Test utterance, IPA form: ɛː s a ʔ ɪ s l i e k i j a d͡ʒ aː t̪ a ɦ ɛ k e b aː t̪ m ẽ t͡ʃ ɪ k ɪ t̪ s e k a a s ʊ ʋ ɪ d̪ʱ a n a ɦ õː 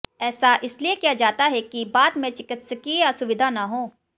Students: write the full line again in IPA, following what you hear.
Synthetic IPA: ɛː s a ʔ ɪ s l i e k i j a d͡ʒ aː t̪ a ɦ ɛ k i b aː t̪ m ẽ t͡ʃ ɪ k ɪ t̪ s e k i a s ʊ ʋ ɪ d̪ʱ a n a ɦ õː

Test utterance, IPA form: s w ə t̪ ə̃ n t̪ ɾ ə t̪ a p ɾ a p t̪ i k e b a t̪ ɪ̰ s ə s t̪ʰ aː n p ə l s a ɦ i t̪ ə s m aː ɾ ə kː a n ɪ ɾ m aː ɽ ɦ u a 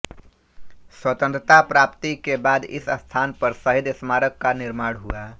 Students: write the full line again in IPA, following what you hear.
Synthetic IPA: s w ə t̪ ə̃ n t̪ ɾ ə t̪ a p ɾ a p t̪ i k e b a d̪ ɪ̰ s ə s t̪ʰ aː n p ə ɾ s ə ɦ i d̪ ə s m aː ɾ ə kː a n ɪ ɾ m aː ɽ ɦ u a

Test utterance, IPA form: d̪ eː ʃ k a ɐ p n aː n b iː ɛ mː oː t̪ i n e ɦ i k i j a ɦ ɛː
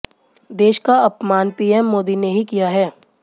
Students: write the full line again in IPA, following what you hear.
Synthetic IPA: d̪ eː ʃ k a ɐ p m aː n p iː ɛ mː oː d̪ i n e ɦ i k i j a ɦ ɛː

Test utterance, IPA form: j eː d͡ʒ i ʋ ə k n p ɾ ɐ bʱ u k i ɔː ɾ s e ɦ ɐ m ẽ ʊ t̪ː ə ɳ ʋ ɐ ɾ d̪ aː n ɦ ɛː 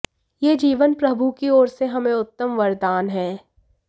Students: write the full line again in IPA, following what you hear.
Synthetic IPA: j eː d͡ʒ iː ʋ ə n p ɾ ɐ bʱ u k i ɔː ɾ s e ɦ ɐ m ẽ ʊ t̪ː ə m ʋ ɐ ɾ d̪ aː n ɦ ɛː

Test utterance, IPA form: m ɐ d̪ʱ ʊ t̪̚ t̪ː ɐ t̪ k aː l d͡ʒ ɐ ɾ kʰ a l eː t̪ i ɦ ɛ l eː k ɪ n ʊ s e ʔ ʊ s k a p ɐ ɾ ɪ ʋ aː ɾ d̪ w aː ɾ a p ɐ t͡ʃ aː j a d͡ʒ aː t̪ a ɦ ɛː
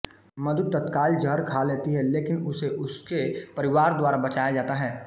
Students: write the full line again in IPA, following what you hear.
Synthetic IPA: m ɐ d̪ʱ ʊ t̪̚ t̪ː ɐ t̪ k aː l d͡ʒ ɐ ɾ kʰ a l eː t̪ i ɦ ɛ l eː k ɪ n ʊ s e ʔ ʊ s k e p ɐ ɾ ɪ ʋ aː ɾ d̪ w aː ɾ a b ɐ t͡ʃ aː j a d͡ʒ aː t̪ a ɦ ɛː

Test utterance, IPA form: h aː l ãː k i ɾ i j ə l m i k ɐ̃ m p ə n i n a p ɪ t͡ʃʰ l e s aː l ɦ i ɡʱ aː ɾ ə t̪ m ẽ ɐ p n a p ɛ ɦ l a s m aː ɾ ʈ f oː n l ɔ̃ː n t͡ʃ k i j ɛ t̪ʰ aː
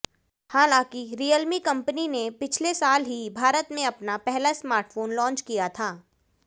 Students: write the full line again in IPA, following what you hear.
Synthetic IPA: h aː l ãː k i ɾ i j ə l m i k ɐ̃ m p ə n i n e p ɪ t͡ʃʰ l e s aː l ɦ i bʱ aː ɾ ə t̪ m ẽ ɐ p n a p ɛ ɦ l a s m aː ɾ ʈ f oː n l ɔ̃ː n t͡ʃ k i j a t̪ʰ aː

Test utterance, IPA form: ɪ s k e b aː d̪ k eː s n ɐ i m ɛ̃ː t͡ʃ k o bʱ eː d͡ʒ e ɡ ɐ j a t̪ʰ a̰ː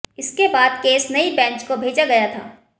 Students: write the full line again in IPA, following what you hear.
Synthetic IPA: ɪ s k e b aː d̪ k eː s n ɐ i b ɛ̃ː t͡ʃ k o bʱ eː d͡ʒ a ɡ ɐ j a t̪ʰ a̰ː

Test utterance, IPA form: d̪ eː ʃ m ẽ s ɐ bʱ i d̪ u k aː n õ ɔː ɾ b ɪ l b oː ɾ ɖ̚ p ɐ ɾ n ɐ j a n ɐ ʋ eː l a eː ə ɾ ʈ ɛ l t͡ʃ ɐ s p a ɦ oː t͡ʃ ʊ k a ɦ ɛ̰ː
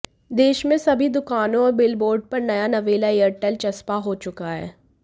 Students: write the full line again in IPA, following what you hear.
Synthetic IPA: d̪ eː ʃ m ẽ s ɐ bʱ i d̪ ʊ k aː n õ ɔː ɾ b ɪ l b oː ɾ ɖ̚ p ɐ ɾ n ɐ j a n ɐ ʋ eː l a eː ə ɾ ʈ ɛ l t͡ʃ ɐ s p a ɦ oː t͡ʃ ʊ k a ɦ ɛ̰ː

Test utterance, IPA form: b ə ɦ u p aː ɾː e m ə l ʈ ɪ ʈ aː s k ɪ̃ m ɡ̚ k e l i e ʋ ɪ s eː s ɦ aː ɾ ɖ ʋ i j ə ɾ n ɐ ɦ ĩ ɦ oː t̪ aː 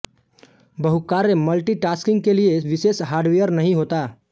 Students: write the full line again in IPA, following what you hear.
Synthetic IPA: b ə ɦ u k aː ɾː e m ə l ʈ i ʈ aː s k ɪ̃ ŋ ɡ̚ k e l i e ʋ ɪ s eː s ɦ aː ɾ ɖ ʋ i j ə ɾ n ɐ ɦ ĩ ɦ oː t̪ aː

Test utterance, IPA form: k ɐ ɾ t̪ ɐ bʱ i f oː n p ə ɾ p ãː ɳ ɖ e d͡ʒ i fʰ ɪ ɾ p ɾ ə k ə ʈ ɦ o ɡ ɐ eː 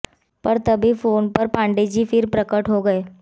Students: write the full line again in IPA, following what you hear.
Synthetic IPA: p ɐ ɾ t̪ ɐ bʱ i f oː n p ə ɾ p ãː ɳ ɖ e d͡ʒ i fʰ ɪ ɾ p ɾ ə k ə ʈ ɦ o ɡ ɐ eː

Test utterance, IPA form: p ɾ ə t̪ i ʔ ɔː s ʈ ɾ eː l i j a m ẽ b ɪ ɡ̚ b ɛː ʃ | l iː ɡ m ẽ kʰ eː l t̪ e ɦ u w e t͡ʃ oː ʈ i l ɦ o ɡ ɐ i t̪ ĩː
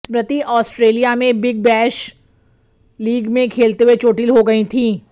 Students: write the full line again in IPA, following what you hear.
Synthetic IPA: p ɾ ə t̪ i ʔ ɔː s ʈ ɾ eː l i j a m ẽ b ɪ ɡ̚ b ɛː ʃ | l iː ɡ m ẽ kʰ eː l t̪ e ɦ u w e t͡ʃ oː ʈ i l ɦ o ɡ ɐ i t̪ʰ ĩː

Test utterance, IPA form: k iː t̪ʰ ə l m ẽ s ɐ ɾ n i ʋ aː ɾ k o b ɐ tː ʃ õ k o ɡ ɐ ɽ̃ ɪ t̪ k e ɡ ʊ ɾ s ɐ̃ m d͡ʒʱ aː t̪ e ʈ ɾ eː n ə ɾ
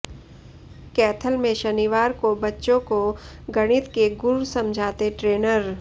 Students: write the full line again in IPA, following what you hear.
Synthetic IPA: k ɛː t̪ʰ ə l m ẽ ʃ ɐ n i ʋ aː ɾ k o b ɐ tː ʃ õ k o ɡ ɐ ɽ̃ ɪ t̪ k e ɡ ʊ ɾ s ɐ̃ m d͡ʒʱ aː t̪ e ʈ ɾ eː n ə ɾ

